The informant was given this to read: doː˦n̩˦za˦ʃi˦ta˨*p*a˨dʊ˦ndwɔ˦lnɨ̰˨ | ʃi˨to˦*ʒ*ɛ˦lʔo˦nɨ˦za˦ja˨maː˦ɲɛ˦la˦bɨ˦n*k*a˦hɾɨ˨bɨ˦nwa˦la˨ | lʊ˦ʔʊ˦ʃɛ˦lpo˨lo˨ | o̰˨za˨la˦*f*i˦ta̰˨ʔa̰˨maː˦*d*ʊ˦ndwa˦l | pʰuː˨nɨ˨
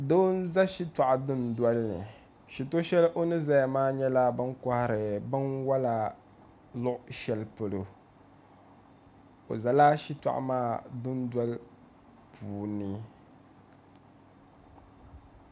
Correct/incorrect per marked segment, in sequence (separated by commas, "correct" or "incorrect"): incorrect, incorrect, correct, incorrect, correct